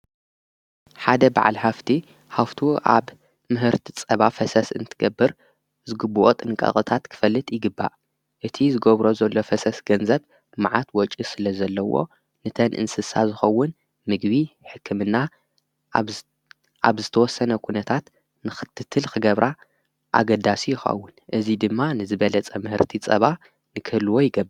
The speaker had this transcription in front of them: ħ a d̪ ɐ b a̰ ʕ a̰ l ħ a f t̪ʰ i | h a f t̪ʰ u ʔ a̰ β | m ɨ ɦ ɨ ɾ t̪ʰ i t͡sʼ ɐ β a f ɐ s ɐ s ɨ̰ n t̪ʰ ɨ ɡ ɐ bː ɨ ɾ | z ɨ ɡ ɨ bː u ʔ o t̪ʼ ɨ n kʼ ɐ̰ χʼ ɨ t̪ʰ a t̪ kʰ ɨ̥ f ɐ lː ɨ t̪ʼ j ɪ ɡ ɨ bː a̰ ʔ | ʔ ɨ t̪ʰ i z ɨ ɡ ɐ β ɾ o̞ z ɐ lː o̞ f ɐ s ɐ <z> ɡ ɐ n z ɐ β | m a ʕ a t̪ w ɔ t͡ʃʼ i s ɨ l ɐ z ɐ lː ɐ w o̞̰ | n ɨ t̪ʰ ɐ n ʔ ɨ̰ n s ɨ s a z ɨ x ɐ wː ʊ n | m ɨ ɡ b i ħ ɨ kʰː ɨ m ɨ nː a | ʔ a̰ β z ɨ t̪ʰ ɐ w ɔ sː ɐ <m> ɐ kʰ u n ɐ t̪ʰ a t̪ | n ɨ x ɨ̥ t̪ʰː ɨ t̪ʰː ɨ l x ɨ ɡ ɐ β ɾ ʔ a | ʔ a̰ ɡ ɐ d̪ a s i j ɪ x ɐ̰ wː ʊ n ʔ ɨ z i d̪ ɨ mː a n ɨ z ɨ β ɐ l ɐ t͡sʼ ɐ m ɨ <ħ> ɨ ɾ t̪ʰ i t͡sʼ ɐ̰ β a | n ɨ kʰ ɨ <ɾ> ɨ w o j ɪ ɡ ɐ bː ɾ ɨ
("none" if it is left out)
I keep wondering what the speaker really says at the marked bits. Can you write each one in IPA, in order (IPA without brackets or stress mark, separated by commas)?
s, n, h, l